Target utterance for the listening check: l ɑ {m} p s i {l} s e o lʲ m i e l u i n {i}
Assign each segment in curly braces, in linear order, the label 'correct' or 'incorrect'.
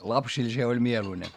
incorrect: none, correct, incorrect: e

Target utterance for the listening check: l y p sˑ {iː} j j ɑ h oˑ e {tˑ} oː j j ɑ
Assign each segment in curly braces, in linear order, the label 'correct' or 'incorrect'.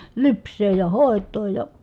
incorrect: eː, correct

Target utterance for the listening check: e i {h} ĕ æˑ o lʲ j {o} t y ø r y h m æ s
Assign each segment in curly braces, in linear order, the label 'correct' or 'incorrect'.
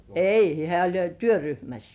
correct, correct

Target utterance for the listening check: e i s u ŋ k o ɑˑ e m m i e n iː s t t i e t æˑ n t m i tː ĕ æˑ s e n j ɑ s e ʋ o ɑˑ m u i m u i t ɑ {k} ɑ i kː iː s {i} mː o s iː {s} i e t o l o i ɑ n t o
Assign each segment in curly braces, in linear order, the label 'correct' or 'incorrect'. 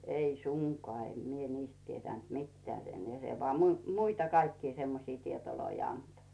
correct, incorrect: e, incorrect: t

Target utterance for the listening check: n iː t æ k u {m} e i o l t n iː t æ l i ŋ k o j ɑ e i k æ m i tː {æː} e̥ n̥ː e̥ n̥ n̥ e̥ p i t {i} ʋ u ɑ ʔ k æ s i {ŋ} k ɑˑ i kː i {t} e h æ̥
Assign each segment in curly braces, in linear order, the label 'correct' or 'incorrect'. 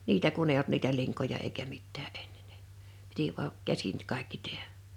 incorrect: n, correct, correct, incorrect: n, correct

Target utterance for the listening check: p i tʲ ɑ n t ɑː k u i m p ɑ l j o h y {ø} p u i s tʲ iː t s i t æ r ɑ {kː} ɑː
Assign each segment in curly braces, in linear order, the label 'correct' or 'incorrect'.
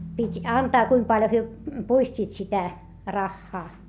correct, incorrect: xː

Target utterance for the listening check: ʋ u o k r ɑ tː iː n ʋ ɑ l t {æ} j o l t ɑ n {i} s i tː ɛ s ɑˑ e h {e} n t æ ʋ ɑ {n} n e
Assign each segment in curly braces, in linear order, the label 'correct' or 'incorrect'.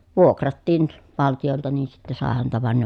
incorrect: i, incorrect: iː, incorrect: æ, correct

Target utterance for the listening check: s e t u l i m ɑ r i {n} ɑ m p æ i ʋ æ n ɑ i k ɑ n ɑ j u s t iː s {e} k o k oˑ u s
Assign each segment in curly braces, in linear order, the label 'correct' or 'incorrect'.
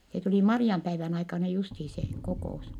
incorrect: none, correct

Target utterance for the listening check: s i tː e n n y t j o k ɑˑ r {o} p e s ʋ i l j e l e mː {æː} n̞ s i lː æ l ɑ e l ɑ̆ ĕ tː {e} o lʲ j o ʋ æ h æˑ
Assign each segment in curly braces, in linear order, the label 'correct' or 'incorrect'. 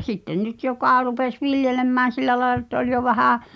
incorrect: u, correct, incorrect: æ

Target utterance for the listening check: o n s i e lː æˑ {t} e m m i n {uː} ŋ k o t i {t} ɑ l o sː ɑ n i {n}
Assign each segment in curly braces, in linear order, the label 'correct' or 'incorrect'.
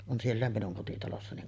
incorrect: none, incorrect: u, correct, incorrect: ŋ

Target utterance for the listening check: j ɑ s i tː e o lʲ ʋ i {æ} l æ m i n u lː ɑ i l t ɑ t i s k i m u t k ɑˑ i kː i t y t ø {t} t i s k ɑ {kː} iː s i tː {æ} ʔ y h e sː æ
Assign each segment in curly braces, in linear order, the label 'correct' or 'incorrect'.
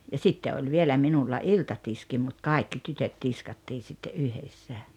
incorrect: e, correct, incorrect: tː, incorrect: e

